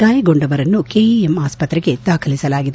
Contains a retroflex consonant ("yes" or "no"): yes